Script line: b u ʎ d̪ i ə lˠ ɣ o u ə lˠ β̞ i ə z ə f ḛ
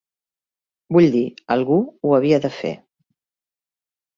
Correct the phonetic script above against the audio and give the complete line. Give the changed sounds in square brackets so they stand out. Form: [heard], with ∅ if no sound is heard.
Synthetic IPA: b u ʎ d̪ i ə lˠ ɣ [u] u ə [∅] β̞ i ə [ð] ə f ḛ